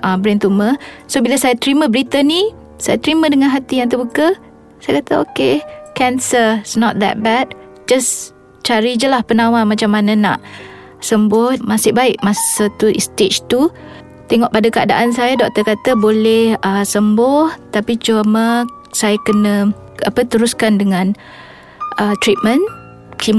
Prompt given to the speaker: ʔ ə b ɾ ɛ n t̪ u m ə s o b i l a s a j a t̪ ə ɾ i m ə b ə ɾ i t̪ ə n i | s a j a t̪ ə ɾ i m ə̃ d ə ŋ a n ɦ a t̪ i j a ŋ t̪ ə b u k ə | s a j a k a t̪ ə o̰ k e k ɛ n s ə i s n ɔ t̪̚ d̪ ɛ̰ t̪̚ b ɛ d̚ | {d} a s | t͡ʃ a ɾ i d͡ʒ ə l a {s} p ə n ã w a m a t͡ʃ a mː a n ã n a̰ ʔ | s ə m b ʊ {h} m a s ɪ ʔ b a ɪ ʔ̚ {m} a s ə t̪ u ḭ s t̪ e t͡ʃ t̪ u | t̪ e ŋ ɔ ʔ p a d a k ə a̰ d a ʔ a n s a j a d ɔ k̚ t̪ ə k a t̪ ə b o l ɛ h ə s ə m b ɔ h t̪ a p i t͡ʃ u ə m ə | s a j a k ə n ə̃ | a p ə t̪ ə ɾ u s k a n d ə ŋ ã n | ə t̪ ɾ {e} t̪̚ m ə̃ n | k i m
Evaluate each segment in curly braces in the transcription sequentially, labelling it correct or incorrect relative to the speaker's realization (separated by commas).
incorrect, incorrect, correct, correct, incorrect